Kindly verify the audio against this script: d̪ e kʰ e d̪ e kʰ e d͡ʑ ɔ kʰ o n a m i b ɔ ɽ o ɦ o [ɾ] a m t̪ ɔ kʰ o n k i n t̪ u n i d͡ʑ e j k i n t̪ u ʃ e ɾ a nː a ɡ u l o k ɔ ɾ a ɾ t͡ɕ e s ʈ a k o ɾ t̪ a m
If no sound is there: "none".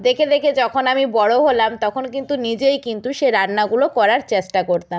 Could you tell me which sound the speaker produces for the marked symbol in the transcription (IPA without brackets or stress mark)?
l